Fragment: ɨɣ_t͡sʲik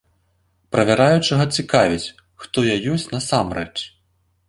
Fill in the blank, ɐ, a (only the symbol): ɐ